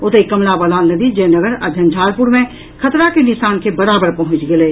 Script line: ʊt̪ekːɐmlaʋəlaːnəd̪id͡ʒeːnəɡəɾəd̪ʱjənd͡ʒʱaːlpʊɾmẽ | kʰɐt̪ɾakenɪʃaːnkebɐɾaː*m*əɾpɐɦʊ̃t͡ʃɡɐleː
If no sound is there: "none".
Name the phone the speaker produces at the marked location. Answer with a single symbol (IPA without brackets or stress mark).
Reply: b